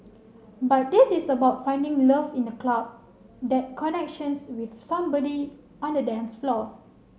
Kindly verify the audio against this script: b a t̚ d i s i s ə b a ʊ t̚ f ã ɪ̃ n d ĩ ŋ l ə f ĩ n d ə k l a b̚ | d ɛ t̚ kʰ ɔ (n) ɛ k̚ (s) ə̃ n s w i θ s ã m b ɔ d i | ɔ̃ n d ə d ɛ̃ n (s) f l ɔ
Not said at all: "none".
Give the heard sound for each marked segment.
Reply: n, ʃ, s

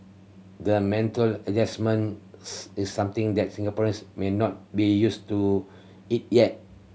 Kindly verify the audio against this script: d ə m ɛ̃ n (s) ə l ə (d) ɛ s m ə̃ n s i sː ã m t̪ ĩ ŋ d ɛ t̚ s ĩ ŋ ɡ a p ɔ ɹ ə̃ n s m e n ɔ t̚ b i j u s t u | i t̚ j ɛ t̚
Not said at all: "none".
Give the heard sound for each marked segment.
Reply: t, d͡ʒ

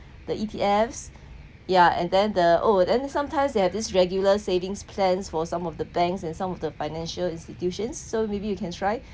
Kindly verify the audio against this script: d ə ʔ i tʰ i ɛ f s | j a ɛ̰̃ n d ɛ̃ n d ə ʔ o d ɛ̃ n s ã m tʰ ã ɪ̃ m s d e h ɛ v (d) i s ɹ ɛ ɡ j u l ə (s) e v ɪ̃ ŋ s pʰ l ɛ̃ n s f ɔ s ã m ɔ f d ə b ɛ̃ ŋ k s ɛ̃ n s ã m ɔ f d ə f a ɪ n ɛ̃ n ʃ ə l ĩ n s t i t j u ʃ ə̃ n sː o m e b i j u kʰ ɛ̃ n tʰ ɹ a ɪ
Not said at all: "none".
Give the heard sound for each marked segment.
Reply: d, s

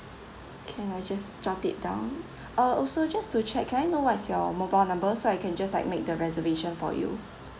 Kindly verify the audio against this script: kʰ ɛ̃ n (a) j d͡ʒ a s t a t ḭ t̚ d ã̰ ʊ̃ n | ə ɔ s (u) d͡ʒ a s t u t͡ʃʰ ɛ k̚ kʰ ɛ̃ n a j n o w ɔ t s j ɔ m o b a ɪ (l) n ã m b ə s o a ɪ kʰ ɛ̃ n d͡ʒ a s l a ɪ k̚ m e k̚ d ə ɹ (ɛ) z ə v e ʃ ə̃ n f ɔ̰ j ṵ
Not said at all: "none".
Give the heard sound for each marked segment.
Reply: a, o, l, ɛ

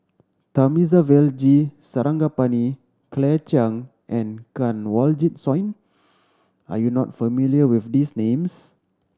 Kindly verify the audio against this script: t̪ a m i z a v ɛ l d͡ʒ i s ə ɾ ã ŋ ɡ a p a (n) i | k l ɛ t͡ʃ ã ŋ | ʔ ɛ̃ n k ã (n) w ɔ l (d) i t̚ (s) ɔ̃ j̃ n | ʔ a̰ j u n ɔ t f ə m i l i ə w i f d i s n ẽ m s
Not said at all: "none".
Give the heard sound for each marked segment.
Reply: n, n, d͡ʒ, s

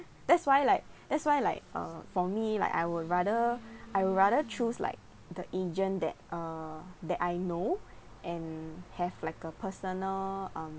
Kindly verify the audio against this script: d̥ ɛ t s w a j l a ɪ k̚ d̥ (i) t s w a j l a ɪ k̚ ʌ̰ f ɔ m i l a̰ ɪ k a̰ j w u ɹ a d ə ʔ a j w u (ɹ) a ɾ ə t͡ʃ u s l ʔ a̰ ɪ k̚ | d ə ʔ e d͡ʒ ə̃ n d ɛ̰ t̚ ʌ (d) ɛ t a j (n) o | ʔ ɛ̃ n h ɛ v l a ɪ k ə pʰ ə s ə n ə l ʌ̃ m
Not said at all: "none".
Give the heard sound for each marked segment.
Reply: ɛ, ɹ, d, n

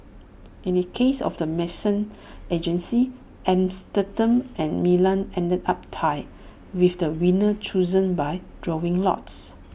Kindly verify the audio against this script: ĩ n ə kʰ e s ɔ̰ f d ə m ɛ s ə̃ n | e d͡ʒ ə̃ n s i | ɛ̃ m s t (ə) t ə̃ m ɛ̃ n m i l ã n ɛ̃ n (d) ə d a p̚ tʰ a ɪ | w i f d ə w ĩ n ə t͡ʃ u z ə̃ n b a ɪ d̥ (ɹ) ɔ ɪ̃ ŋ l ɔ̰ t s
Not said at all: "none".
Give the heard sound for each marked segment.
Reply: ə, d, ɹ

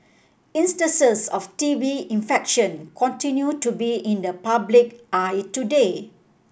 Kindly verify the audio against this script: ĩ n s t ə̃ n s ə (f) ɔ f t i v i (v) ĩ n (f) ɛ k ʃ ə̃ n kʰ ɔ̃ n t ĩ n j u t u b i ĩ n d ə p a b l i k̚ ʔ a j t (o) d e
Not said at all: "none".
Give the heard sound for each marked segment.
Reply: s, none, f, u

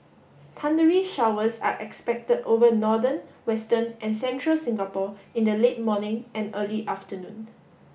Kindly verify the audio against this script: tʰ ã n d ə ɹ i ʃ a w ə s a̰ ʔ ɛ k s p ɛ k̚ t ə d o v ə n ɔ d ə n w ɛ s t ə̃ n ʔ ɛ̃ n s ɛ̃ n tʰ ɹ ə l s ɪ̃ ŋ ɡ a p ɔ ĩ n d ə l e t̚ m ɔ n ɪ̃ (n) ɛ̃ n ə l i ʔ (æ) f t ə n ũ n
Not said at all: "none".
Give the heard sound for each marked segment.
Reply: ŋ, a

